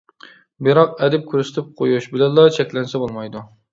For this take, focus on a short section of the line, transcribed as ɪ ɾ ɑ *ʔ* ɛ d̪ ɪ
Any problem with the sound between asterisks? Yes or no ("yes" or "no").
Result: yes